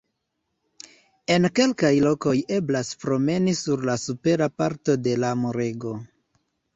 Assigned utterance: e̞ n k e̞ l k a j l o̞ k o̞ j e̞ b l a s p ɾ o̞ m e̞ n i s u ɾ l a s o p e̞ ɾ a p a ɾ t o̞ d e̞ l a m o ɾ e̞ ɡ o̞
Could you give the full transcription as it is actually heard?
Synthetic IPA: e̞ n k e̞ l k a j l o̞ k o̞ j e̞ b l a s p ɾ o̞ m e̞ n i s u ɾ l a s u p e̞ ɾ a p a ɾ t o̞ d e̞ l a m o ɾ e̞ ɡ o̞